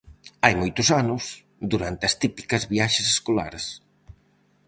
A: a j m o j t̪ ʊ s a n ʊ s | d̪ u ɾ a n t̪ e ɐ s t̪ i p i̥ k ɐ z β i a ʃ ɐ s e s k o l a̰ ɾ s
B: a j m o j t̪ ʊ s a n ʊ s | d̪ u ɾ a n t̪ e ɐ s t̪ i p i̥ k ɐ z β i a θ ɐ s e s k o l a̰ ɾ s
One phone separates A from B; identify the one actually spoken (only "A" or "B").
A